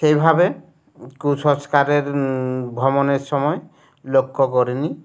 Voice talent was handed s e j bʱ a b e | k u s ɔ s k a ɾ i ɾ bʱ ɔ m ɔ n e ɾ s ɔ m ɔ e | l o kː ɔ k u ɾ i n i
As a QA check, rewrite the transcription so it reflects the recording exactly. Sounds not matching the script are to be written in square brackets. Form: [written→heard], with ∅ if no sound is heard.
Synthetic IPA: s e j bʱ a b e | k u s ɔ s k a ɾ [i→e] ɾ bʱ ɔ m ɔ n e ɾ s ɔ m ɔ e | l o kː ɔ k [u→ɔ] ɾ i n i